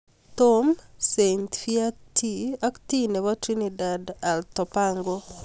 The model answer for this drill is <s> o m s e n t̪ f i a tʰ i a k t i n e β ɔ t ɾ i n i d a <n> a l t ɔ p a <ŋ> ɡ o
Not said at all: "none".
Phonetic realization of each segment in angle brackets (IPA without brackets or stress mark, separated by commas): t, d, ŋ